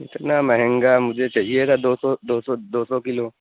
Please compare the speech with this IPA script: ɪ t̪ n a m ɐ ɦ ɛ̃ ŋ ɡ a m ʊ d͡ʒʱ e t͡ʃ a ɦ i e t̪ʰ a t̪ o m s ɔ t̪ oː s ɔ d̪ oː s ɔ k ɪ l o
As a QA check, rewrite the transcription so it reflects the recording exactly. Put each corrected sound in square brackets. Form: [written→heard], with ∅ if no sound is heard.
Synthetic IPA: ɪ t̪ n a m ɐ ɦ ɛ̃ ŋ ɡ a m ʊ d͡ʒʱ e t͡ʃ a ɦ i e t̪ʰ a [t̪→d̪] o [m→∅] s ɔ [t̪→d̪] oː s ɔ d̪ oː s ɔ k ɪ l o